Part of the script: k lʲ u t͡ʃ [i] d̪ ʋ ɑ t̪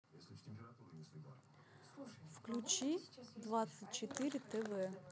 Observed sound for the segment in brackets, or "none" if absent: i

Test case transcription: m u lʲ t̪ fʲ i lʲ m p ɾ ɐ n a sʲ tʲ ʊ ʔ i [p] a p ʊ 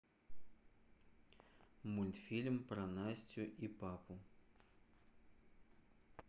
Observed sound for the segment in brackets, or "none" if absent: p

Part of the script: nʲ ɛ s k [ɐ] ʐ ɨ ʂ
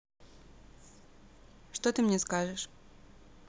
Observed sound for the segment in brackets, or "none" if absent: a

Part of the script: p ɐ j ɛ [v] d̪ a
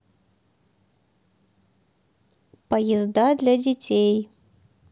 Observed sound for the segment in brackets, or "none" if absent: z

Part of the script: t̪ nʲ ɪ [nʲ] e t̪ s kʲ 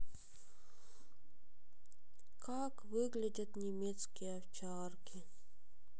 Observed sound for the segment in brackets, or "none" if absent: mʲ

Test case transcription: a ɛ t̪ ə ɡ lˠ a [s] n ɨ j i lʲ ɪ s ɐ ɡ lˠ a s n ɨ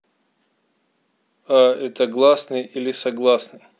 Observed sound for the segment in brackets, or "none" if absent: s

